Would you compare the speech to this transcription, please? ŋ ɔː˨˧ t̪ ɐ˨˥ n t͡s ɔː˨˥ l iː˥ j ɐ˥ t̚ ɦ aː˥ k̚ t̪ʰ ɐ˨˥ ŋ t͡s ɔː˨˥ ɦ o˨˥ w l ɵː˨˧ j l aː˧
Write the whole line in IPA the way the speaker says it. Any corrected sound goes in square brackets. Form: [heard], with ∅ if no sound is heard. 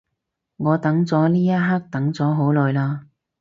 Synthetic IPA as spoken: ŋ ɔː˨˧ t̪ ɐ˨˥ [ŋ] t͡s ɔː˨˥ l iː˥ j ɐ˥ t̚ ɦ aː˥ k̚ [t̪] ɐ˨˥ ŋ t͡s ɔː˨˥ ɦ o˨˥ w l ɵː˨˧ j l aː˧